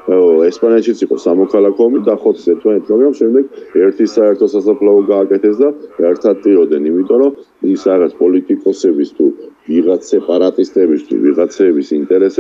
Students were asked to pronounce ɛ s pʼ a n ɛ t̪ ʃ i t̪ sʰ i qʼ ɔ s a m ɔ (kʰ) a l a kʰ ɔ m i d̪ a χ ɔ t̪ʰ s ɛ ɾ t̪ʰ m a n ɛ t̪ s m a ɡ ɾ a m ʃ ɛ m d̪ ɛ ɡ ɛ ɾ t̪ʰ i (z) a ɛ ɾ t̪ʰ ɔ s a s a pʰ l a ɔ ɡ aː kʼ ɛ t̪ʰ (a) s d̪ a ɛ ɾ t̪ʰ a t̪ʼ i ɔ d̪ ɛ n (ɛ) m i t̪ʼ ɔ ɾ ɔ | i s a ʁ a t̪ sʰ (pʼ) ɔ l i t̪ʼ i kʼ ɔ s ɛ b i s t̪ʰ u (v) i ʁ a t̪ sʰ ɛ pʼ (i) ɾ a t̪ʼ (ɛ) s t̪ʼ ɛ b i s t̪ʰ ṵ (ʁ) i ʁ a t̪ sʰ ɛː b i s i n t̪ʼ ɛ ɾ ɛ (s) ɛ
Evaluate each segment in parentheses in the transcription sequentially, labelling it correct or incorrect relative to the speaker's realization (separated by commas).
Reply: correct, incorrect, incorrect, incorrect, correct, correct, incorrect, incorrect, incorrect, correct